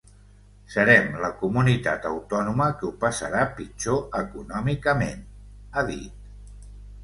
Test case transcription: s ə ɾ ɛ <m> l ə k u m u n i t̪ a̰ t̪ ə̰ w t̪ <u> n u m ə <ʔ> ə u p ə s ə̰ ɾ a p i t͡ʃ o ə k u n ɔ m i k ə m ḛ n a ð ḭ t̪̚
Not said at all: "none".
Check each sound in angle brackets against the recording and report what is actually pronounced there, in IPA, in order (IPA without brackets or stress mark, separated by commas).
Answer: m, ɔ, k